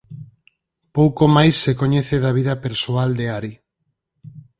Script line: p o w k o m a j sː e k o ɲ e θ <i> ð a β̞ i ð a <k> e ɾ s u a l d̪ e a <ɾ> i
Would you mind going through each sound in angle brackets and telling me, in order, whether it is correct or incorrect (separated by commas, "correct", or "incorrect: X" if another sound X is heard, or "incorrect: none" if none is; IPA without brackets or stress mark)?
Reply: incorrect: e, incorrect: p, correct